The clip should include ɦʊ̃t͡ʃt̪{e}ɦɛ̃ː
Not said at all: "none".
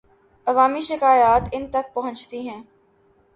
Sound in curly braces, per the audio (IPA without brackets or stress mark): i